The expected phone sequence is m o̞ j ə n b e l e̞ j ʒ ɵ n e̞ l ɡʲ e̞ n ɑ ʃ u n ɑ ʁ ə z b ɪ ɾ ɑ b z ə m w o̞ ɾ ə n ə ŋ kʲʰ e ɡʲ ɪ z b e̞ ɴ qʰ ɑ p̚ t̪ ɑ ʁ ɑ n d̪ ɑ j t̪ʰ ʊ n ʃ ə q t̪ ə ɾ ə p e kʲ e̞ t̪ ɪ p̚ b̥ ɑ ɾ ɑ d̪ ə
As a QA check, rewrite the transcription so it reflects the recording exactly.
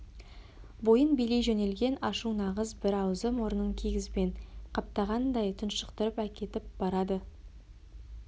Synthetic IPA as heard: b o̞ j ə n b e l e̞ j ʒ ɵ n e̞ l ɡʲ e̞ n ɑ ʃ u n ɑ ʁ ə z b ɪ ɾ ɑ w z ə m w o̞ ɾ ə n ə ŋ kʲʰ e ɡʲ ɪ z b e̞ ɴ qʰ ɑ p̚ t̪ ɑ ʁ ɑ n d̪ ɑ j t̪ʰ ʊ n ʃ ə q t̪ ə ɾ ə p æ kʲ e̞ t̪ ɪ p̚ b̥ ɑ ɾ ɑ d̪ ə

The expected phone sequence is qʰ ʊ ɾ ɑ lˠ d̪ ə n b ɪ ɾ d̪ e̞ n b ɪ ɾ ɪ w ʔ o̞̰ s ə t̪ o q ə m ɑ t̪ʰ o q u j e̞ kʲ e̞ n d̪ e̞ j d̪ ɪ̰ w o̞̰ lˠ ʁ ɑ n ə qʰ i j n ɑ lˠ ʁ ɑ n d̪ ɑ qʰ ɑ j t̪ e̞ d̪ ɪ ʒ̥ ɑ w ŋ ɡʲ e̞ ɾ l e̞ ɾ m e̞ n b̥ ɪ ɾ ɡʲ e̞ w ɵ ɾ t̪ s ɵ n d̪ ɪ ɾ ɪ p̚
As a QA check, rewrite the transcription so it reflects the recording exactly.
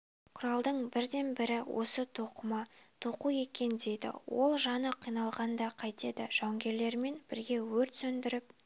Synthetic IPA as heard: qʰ ʊ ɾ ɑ lˠ d̪ ə ɴ b ɪ ɾ d̪ e̞ n b ɪ ɾ ɪ w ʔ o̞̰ s ə t̪ʰ o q ə m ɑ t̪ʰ o q u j e̞ kʲ e̞ n d̪ e̞ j d̪ ɪ̰ w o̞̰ lˠ ʒ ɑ n ə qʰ i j n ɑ lˠ ʁ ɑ n d̪ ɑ qʰ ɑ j t̪ e̞ d̪ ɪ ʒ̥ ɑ w ŋ ɡʲ e̞ ɾ l e̞ ɾ m e̞ n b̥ ɪ ɾ ɡʲ e̞ w ɵ ɾ t̪ s ɵ n d̪ ɪ ɾ ɪ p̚

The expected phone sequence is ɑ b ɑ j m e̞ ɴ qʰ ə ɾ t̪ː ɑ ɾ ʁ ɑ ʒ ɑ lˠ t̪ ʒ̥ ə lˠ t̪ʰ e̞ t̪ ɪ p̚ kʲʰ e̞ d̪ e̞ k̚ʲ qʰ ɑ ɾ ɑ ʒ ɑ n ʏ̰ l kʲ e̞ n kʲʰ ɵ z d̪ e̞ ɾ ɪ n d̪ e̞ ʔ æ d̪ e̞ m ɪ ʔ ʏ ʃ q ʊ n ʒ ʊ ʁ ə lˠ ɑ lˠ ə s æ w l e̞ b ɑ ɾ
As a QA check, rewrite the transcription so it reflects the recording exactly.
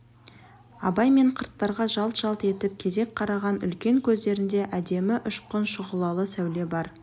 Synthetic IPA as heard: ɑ b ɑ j m e̞ ɴ qʰ ə ɾ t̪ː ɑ ɾ ʁ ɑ ʒ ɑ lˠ t̪ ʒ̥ ɑ lˠ t̪ e̞ t̪ ɪ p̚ kʲʰ e̞ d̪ e̞ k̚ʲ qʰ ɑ ɾ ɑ ʁ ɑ n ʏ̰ l kʲ e̞ ŋ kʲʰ ɵ z d̪ e̞ ɾ ɪ n d̪ e̞ ʔ æ d̪ e̞ m ɪ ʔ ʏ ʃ q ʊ n ʃ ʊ ʁ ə lˠ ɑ lˠ ə s æ w l e̞ b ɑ ɾ

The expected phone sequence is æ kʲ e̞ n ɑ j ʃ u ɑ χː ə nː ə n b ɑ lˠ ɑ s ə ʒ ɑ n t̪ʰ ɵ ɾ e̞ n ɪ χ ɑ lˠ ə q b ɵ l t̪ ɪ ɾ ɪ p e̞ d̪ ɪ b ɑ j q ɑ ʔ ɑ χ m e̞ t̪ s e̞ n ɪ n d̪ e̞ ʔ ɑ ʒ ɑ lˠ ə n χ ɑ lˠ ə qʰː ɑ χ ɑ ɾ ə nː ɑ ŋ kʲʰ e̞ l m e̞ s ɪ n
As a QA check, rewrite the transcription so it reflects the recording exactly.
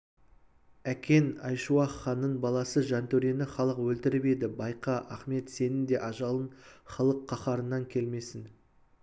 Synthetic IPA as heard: æ kʲ e̞ n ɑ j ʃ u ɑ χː ɑ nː ə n b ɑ lˠ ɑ s ə ʒ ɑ n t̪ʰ ɵ ɾ e̞ n ɪ χ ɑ lˠ ə q w ɵ l t̪ ɪ ɾ ɪ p e̞ d̪ ɪ b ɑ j q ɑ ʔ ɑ χ m e̞ t̪ s e̞ n ɪ n d̪ e̞ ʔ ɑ ʒ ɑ lˠ ə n χ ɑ lˠ ə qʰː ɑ χ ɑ ɾ ə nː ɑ ŋ kʲʰ e̞ l m e̞ s ɪ n

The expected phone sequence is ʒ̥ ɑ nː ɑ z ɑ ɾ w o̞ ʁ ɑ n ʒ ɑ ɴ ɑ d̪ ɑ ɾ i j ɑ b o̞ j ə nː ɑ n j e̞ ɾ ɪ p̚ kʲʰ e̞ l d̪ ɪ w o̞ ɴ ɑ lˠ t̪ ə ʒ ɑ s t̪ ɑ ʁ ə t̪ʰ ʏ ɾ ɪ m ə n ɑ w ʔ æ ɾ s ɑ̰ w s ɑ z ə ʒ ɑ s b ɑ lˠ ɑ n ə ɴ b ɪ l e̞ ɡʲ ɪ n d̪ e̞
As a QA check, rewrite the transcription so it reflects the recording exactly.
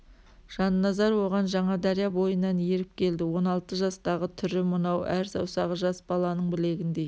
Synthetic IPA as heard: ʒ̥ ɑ nː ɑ z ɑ ɾ w o̞ ʁ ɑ n ʒ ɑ ɴ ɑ d̪ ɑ ɾ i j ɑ b o̞ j ə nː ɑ n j e̞ ɾ ɪ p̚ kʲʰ e̞ l d̪ ɪ w o̞ n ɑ lˠ t̪ ə ʒ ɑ s t̪ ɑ ʁ ə t̪ʰ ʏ ɾ ɪ m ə n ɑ w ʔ æ ɾ s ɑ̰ w s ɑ ʁ ə ʒ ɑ s b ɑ lˠ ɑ n ə ɴ b ɪ l e̞ ɡʲ ɪ n d̪ e̞

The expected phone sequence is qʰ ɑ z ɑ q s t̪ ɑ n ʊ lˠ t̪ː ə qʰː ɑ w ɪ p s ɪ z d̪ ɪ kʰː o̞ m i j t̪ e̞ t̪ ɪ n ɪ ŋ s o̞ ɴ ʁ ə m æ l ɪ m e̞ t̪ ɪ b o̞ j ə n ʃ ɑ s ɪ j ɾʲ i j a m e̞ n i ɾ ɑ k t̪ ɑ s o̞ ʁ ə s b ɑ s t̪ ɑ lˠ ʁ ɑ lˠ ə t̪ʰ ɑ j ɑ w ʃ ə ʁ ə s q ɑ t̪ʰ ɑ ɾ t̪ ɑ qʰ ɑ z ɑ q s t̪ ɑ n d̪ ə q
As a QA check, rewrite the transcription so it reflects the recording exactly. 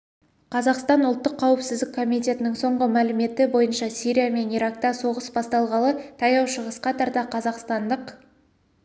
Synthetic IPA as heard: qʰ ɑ z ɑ q s t̪ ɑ n ʊ lˠ t̪ː ə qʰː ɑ w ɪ p s ɪ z d̪ ɪ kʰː o̞ m i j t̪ e̞ t̪ ɪ n ɪ ŋ s o̞ ɴ ʁ ə m æ l ɪ m e̞ t̪ ɪ b o̞ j ə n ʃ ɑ s i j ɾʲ i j a m e̞ n i ɾ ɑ k t̪ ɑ s o̞ ʁ ə s b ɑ s t̪ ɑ lˠ ʁ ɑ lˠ ə t̪ʰ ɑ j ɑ w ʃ ə ʁ ə s q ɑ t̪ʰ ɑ ɾ t̪ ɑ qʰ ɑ z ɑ q s t̪ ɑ n d̪ ə q

